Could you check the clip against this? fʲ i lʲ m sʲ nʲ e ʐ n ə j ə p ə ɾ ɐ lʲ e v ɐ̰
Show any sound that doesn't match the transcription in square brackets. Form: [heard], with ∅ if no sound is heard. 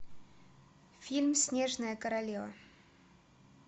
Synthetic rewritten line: fʲ i lʲ m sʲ nʲ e ʐ n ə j ə [k] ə ɾ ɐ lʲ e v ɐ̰